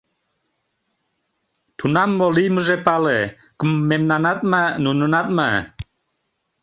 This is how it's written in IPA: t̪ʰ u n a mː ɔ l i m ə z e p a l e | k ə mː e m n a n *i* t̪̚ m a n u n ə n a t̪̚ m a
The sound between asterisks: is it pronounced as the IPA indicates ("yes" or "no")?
no